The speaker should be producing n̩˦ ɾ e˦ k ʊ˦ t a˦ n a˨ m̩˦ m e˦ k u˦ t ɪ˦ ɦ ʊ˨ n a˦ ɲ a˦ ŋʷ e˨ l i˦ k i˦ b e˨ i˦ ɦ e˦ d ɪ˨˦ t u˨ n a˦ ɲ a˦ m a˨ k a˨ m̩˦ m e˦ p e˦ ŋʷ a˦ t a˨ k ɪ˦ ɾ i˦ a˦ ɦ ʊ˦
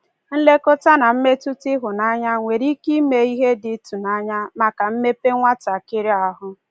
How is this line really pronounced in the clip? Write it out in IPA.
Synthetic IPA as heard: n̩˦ l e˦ k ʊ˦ t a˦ n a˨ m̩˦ m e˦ t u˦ t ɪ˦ ɦ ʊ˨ n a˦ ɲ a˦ ŋʷ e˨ ɾ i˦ k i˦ m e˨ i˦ ɦ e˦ d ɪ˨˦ t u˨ n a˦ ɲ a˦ m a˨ k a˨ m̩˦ m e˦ p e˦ ŋʷ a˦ t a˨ k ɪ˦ ɾ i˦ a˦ ɦ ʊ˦